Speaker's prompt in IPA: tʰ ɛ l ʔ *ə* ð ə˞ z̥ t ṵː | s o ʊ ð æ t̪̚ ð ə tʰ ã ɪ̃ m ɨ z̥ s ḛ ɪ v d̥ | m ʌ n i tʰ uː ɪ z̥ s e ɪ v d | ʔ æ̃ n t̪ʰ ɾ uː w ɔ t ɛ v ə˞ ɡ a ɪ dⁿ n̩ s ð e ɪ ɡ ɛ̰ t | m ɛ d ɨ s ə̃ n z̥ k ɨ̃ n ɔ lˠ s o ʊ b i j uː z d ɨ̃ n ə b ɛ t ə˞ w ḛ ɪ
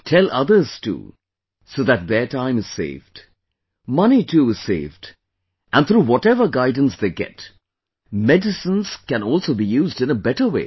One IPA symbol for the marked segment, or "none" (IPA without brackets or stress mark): ʌ